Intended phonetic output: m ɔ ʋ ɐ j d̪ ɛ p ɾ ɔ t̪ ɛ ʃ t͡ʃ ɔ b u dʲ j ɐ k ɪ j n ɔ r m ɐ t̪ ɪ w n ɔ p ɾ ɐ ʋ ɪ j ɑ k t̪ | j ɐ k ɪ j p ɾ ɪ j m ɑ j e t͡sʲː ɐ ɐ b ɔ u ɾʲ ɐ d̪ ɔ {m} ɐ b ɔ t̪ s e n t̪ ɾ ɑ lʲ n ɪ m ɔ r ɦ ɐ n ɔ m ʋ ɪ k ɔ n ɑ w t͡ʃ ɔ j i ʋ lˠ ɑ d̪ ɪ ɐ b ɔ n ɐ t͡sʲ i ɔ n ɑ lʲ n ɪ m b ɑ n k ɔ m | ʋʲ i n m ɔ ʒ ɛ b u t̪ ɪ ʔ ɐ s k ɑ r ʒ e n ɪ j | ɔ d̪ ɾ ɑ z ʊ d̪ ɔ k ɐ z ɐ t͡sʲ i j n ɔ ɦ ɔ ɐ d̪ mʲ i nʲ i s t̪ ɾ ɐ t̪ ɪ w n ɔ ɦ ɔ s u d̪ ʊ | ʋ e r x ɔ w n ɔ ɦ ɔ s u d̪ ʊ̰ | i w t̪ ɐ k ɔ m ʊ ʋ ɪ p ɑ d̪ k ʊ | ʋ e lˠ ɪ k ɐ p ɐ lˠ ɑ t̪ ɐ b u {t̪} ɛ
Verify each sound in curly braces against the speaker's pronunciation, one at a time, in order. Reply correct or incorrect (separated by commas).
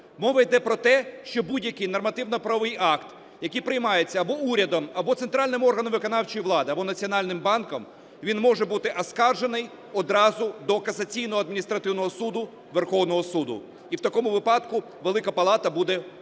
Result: correct, incorrect